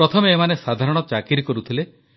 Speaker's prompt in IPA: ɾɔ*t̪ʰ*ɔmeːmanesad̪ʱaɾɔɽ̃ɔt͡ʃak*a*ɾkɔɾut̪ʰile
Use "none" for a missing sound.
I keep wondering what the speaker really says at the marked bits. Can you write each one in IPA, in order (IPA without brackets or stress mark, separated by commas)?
t̪ʰ, i